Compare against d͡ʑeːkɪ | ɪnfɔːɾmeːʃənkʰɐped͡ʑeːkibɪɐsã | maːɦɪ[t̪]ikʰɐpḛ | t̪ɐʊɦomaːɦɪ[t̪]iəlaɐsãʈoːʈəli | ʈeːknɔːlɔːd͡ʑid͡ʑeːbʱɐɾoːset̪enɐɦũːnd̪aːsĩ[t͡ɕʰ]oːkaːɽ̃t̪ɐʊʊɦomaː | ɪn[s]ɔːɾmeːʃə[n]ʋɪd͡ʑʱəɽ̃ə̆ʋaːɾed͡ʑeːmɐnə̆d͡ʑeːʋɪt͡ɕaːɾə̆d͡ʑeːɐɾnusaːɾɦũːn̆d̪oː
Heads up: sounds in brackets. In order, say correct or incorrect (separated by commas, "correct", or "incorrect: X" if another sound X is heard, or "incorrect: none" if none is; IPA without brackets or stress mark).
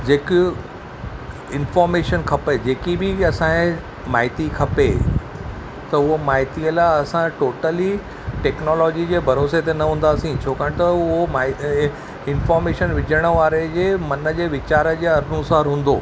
correct, correct, correct, incorrect: f, correct